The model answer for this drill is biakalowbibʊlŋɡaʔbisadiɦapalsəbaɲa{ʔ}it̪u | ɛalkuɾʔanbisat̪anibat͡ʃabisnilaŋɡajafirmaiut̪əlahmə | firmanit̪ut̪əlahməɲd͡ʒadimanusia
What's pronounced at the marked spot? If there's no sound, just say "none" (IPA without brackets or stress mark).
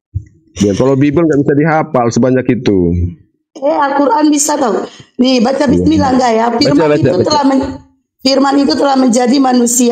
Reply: k